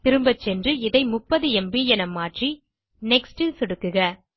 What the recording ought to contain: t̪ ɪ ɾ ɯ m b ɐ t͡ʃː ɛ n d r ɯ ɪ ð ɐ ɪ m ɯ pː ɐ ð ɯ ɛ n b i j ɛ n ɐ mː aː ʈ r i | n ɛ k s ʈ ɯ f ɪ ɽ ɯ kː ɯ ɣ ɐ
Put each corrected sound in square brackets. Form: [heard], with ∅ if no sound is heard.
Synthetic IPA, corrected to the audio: t̪ ɪ ɾ ɯ m b ɐ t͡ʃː ɛ n d r ɯ ɪ ð ɐ ɪ m [ʊ] pː ɐ ð ɯ ɛ [m] b i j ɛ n ɐ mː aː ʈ r i | n ɛ k s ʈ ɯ [s] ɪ ɽ ɯ kː ɯ ɣ ɐ